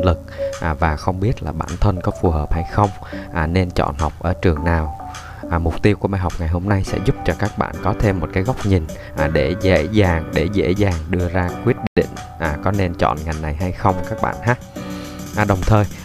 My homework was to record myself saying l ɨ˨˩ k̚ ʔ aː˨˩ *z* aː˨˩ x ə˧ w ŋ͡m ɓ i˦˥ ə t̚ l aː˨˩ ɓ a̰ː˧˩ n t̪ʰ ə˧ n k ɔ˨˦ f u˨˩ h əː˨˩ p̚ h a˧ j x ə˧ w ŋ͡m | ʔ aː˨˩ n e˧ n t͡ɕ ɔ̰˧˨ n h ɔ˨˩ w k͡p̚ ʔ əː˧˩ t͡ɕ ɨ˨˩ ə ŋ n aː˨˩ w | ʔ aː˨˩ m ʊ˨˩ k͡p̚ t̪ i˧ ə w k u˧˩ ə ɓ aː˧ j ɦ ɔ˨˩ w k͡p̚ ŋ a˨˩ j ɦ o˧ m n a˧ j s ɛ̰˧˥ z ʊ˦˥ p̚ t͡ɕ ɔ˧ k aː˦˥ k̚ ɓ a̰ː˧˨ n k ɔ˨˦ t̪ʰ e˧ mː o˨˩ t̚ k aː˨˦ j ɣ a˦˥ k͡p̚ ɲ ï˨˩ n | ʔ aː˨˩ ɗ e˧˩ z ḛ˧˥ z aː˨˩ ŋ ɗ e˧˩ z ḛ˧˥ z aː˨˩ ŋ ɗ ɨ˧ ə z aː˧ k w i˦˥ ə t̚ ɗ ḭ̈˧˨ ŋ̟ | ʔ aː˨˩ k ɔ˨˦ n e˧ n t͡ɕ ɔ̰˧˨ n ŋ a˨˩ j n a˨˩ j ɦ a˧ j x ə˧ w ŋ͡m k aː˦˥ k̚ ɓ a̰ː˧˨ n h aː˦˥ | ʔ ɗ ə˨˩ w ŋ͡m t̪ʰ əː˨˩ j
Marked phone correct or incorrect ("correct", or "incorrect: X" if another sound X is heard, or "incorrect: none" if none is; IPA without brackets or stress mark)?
incorrect: v